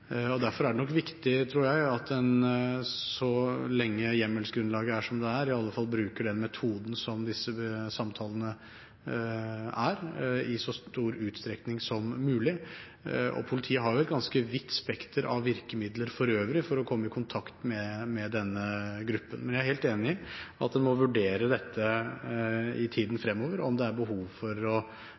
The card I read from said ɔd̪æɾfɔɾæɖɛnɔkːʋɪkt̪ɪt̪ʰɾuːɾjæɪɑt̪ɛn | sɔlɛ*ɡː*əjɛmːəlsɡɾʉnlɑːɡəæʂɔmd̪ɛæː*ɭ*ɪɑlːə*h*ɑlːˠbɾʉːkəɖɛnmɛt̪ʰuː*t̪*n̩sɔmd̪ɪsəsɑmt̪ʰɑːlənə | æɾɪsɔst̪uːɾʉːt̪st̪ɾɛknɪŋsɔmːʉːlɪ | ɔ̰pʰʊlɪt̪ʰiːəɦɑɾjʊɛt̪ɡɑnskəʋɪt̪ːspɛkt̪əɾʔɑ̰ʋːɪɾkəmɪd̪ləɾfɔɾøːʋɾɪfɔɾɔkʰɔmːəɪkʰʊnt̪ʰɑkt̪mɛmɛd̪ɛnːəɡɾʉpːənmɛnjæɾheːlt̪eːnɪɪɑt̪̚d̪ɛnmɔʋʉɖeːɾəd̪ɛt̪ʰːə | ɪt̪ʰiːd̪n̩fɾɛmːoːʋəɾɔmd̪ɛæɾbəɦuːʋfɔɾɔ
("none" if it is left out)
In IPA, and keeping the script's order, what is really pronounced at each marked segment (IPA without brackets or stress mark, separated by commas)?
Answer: ŋː, ɾ, f, d̪